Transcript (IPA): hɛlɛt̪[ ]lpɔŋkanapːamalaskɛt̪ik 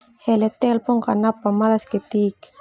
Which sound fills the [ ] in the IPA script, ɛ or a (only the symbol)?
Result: ɛ